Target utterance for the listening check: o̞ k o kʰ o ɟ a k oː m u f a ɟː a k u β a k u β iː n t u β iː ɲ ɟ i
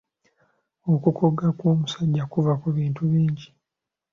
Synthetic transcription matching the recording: o̞ k u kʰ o ɡ a k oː m u s a ɟː a k u v a k u β iː n t u β iː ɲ ɟ i